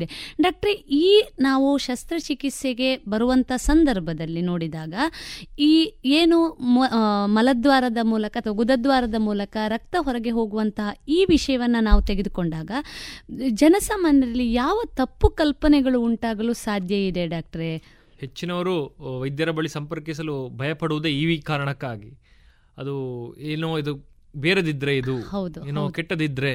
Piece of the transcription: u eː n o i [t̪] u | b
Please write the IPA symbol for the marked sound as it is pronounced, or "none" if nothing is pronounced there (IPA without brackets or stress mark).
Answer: d̪